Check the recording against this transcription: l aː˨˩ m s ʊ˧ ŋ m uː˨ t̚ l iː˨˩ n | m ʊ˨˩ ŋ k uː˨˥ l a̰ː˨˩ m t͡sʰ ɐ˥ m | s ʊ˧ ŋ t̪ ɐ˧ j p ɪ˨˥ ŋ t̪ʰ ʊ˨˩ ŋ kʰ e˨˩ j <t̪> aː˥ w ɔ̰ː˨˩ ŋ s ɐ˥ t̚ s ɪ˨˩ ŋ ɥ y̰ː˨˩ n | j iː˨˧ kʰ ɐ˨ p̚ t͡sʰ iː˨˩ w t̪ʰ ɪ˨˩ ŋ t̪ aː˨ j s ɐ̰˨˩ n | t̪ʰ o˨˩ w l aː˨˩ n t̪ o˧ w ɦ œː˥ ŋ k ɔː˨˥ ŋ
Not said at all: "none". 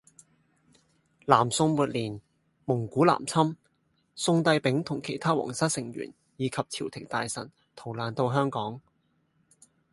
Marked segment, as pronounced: t̪ʰ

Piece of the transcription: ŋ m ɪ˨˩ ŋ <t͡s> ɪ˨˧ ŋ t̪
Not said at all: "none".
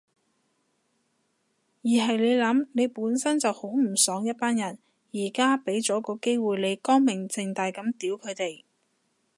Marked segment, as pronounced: t͡s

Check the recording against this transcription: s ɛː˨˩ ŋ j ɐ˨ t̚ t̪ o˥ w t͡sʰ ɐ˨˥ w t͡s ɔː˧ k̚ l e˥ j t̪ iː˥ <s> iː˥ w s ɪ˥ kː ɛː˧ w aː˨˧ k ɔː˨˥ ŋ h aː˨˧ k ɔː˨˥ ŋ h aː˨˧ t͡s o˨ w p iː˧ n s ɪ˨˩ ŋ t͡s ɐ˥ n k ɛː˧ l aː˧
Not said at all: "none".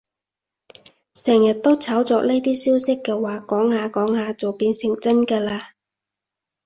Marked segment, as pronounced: s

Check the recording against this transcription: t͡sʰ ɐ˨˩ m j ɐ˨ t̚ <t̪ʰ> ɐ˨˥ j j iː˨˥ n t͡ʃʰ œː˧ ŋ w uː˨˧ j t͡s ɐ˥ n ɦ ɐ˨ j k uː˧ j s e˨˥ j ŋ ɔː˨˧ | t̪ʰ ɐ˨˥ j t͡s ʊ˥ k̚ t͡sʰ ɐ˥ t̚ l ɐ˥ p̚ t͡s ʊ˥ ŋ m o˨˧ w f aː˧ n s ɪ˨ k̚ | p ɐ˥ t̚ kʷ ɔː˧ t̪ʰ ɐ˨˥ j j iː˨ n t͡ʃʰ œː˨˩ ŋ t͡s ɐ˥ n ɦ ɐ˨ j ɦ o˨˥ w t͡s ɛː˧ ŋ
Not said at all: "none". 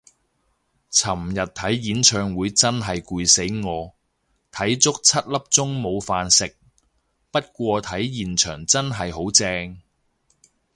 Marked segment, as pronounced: t̪ʰ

